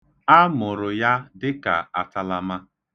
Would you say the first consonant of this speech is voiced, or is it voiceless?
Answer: voiced